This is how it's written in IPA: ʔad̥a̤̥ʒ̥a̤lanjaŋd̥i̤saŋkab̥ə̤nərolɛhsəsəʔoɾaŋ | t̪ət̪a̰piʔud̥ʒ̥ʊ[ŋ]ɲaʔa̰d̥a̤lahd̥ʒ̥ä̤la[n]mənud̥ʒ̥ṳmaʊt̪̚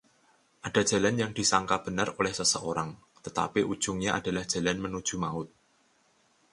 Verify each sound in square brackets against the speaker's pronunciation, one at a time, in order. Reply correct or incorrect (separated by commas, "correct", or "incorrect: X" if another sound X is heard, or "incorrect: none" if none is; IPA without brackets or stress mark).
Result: correct, correct